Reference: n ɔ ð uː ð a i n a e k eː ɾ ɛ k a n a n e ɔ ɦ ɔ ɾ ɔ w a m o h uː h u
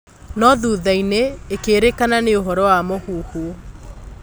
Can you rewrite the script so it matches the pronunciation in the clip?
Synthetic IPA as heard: n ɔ ð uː ð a i n e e k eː ɾ e k a n a n e o ɦ ɔ ɾ ɔ w a m o h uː h u